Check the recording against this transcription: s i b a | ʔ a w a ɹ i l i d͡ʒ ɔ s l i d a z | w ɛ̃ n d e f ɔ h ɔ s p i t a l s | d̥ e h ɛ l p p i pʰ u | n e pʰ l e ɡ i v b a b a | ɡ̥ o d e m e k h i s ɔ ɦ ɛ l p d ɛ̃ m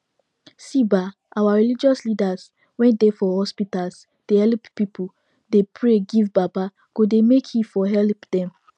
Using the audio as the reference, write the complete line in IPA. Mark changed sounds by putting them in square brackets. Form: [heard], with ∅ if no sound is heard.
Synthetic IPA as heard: s i b a | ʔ a w a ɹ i l i d͡ʒ ɔ s l i d a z | w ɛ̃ n d e f ɔ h ɔ s p i t a l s | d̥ e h ɛ l p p i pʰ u | [d] e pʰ [ɹ] e ɡ i v b a b a | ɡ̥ o d e m e k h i [f] ɔ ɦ ɛ l p d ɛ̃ m